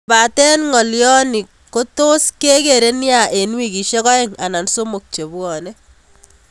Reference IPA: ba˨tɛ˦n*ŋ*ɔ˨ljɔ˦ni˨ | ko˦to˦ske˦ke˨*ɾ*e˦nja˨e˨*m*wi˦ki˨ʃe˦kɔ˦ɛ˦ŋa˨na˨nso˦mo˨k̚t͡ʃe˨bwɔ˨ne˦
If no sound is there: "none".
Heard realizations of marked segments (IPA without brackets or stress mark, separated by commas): ŋ, ɾ, n